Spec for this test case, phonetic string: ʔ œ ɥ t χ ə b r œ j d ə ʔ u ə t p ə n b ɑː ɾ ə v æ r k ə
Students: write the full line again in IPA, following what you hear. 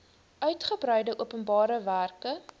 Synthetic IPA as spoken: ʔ œ ɥ t χ ə b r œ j d ə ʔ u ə p ə n b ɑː ɾ ə v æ r k ə